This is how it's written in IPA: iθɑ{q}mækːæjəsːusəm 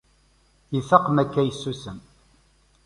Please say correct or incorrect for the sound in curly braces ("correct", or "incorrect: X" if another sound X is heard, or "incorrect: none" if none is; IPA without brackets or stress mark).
correct